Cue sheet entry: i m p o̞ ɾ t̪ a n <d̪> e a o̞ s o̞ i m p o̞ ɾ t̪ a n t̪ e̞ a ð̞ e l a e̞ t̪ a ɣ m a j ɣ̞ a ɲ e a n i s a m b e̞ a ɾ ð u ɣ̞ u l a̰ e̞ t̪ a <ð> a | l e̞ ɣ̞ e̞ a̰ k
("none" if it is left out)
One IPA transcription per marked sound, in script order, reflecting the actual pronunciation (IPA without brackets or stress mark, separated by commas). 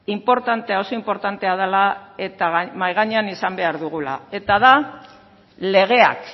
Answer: t̪, ð